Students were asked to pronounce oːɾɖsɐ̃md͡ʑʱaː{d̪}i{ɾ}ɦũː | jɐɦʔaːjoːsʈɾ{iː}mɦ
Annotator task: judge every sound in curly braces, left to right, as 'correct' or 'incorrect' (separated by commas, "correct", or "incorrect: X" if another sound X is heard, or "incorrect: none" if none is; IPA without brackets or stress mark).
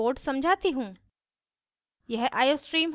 incorrect: t̪, incorrect: none, correct